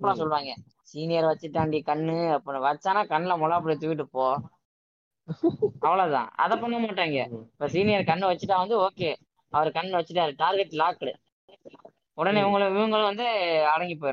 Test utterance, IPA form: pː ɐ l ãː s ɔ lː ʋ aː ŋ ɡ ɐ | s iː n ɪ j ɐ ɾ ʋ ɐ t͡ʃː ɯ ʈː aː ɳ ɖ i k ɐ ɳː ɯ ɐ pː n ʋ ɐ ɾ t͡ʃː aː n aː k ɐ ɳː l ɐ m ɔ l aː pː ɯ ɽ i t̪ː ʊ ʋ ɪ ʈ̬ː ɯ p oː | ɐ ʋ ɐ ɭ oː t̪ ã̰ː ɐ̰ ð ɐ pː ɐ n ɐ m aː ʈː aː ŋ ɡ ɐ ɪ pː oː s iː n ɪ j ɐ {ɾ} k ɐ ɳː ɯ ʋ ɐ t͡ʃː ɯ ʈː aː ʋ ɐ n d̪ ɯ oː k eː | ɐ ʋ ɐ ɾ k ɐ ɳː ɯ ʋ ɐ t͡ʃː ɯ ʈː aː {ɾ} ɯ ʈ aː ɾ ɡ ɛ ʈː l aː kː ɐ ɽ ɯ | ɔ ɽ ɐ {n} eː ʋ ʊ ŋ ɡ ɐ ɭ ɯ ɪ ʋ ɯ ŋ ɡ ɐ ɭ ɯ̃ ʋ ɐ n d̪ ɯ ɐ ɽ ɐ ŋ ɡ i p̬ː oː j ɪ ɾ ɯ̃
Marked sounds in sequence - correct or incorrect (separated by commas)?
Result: correct, correct, correct